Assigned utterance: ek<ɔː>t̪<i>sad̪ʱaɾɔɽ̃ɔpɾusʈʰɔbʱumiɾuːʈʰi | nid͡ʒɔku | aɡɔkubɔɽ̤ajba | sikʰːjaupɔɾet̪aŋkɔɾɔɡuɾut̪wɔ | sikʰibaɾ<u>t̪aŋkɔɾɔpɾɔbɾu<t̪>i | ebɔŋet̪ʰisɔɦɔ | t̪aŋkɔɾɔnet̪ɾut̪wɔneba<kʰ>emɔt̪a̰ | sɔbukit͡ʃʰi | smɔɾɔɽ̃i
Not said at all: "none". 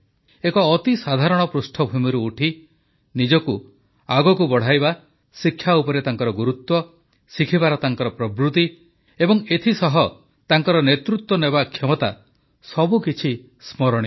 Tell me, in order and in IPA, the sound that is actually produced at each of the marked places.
ɔː, i, ɔ, t̪, kʰ

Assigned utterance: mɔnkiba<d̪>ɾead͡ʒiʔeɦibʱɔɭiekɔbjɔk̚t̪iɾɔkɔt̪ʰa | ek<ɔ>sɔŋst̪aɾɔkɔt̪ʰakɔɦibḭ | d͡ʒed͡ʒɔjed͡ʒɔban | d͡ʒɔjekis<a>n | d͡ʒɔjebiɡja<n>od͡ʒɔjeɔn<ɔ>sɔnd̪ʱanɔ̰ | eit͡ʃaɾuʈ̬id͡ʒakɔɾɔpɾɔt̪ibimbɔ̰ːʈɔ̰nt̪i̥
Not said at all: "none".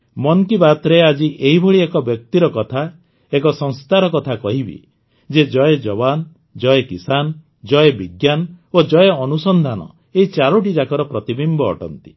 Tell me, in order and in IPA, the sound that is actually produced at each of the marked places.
t̪, ɔ, a, n, u

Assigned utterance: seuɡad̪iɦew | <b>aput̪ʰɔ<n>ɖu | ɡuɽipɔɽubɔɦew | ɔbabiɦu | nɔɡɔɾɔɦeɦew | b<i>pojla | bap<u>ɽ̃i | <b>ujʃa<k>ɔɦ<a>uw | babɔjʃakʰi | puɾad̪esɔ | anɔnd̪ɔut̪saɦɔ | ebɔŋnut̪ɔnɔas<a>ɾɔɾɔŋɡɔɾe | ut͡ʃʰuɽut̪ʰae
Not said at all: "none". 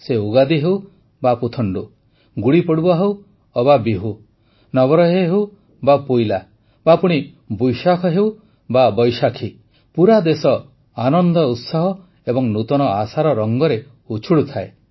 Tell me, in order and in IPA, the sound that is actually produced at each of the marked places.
b, ɳ, a, u, b, kʰ, e, a

